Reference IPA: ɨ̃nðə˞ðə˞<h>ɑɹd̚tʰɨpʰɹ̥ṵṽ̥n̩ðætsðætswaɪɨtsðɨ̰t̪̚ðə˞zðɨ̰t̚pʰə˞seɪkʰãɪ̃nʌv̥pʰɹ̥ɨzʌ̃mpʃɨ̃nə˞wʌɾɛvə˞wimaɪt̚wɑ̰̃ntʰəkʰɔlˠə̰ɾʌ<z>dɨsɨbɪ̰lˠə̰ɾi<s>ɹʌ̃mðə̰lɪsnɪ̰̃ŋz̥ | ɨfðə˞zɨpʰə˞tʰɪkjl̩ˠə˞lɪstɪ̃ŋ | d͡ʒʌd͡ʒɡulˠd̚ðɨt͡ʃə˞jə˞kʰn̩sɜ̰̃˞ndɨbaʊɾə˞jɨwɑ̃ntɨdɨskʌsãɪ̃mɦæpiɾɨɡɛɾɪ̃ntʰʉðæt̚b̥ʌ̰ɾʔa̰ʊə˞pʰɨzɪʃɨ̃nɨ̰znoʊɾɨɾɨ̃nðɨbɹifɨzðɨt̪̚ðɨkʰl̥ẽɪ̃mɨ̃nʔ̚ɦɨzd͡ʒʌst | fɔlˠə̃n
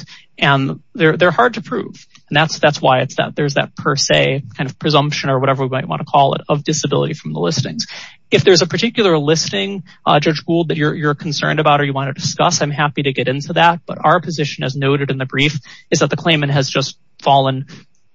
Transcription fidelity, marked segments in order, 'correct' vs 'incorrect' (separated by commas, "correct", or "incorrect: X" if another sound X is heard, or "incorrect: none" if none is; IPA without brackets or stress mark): correct, incorrect: v, incorrect: f